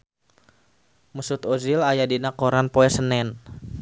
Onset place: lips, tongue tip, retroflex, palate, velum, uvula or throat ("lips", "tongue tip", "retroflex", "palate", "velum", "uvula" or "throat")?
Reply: lips